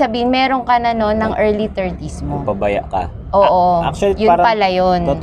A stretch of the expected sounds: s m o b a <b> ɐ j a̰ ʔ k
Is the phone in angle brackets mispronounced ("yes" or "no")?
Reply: no